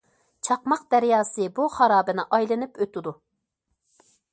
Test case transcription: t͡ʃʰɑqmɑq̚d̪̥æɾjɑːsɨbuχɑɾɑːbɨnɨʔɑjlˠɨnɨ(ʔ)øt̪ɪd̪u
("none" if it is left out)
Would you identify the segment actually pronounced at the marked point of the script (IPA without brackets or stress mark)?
p